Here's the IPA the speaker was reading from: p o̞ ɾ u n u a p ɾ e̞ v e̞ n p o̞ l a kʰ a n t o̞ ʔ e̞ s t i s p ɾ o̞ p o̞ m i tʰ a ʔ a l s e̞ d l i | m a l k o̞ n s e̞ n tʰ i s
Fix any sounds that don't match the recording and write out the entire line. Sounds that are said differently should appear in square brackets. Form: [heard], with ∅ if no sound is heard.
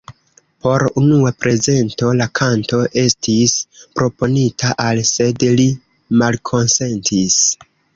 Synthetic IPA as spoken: p o̞ ɾ u n u a p ɾ e̞ [z] e̞ n [t] o̞ l a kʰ a n t o̞ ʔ e̞ s t i s p ɾ o̞ p o̞ [n] i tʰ a ʔ a l s e̞ d l i | m a l [kʰ] o̞ n s e̞ n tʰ i s